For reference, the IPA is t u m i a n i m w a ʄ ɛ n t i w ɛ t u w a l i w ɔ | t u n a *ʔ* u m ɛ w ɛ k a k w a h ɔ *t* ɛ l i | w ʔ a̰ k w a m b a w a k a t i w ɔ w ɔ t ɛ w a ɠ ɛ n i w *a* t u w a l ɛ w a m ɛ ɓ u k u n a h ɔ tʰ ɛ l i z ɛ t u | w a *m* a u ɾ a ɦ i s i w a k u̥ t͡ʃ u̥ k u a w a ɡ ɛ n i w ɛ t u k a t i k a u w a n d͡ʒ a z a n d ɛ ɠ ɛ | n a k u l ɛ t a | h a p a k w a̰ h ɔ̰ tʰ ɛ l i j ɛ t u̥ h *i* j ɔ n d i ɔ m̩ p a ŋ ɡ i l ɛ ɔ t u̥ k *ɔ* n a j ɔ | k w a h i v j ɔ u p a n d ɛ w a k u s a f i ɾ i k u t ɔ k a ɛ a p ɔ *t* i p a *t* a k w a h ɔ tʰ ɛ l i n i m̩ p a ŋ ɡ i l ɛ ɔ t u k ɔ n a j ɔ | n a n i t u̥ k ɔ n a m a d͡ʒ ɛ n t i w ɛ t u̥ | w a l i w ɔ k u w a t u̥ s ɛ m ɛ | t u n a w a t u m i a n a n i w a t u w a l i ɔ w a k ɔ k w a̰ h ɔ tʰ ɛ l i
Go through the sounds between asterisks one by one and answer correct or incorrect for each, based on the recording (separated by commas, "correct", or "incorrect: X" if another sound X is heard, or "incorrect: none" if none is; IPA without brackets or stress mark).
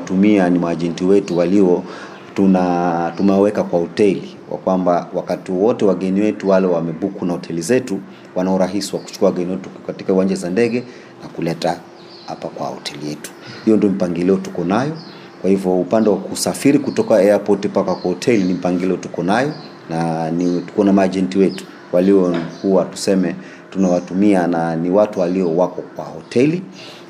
incorrect: t, correct, incorrect: ɛ, incorrect: n, correct, correct, correct, incorrect: k